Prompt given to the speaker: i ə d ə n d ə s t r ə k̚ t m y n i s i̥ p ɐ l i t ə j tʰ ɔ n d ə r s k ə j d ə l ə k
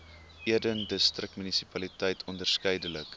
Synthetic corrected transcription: i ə d ə n d ə s t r ə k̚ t m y n i s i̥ p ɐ l i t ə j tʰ ɔ n d ə r s k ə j d ə l ə k

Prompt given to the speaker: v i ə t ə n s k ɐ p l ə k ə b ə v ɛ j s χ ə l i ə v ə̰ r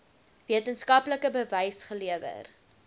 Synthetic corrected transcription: v i ə t ə n s k ɐ p l ə k ə b ə v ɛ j s χ ə l i ə v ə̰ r

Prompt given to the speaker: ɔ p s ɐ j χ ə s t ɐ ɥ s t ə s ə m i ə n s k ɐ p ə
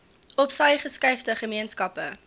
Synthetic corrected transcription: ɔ p s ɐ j χ ə s k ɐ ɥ f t ə χ ə m i ə n s k ɐ p ə

